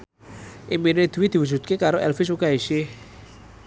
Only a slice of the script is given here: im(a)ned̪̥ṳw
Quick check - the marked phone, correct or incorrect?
incorrect